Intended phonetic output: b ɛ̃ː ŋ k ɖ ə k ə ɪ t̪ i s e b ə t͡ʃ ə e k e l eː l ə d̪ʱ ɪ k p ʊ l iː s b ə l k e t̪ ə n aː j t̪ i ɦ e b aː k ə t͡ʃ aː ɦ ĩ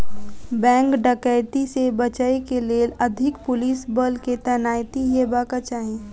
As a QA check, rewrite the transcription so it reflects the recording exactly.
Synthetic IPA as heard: b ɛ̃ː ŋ k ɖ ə k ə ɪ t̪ i s e b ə t͡ʃ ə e k e l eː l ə d̪ʱ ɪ k p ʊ l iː s b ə l k e t̪ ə n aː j t̪ i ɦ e b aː k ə t͡ʃ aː ɦ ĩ